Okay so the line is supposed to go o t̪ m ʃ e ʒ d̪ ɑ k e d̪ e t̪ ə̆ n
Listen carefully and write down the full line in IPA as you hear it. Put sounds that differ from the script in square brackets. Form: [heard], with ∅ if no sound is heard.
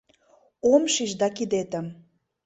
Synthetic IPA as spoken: o [∅] m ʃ [i] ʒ d̪ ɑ k [i] d̪ e t̪ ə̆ [m]